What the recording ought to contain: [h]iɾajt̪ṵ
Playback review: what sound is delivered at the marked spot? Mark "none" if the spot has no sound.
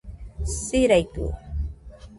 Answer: s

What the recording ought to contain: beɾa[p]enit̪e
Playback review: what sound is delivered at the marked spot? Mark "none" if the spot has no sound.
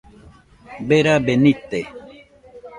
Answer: b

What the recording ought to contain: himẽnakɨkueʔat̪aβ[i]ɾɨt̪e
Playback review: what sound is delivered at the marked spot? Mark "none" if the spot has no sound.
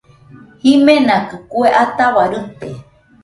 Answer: a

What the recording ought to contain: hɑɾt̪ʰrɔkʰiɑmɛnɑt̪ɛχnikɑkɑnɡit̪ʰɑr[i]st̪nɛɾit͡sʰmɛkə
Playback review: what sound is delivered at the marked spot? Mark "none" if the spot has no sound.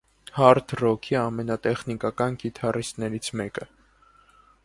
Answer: i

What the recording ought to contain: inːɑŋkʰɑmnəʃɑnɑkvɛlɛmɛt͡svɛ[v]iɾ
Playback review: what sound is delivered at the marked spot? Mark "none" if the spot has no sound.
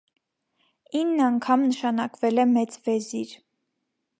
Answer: z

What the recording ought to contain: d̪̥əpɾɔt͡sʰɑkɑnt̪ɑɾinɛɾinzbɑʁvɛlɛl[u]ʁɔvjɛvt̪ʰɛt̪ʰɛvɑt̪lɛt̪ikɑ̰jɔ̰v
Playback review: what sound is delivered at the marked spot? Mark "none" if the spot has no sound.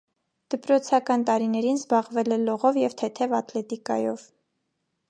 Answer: ɔ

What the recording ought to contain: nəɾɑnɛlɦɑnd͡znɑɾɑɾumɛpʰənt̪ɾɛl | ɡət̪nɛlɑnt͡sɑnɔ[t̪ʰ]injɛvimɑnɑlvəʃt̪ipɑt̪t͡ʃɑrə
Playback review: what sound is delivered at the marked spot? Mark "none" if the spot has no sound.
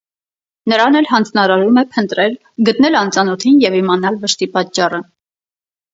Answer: t̪ʰ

